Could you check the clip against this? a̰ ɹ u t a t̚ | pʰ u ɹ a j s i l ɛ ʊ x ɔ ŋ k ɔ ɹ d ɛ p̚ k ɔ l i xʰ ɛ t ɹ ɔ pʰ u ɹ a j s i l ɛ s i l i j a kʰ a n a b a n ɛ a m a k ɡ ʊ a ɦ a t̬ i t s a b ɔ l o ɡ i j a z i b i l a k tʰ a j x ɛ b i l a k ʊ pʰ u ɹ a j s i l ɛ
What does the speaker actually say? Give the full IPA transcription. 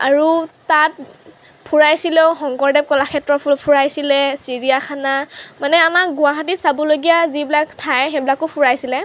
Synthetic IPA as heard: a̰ ɹ u t a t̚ | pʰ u ɹ a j s i l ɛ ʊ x ɔ ŋ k ɔ ɹ d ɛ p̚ k ɔ l a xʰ ɛ t ɹ ɔ pʰ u ɹ a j s i l ɛ s i ɹ i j a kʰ a n a m a n ɛ a m a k ɡ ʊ a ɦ a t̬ i t s a b ɔ l o ɡ i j a z i b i l a k tʰ a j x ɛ b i l a k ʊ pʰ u ɹ a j s i l ɛ